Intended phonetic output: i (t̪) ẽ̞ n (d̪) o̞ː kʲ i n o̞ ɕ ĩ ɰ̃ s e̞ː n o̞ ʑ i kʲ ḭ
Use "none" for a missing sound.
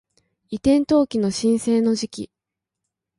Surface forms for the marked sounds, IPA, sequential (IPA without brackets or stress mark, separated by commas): t̪, t̪